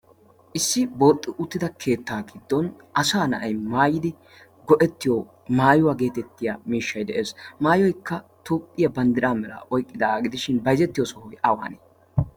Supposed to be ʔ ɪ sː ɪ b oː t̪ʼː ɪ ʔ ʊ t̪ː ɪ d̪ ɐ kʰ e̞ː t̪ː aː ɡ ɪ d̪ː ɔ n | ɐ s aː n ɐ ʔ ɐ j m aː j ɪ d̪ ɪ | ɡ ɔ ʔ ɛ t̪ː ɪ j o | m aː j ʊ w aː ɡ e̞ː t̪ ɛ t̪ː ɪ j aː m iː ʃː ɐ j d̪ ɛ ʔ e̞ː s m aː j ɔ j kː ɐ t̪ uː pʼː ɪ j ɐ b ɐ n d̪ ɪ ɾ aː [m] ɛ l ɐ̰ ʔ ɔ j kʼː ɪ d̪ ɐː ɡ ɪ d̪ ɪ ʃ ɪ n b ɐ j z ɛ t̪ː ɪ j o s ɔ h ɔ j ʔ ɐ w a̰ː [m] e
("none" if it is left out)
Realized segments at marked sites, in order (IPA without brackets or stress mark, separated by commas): m, n